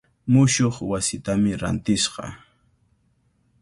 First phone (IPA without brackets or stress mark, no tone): m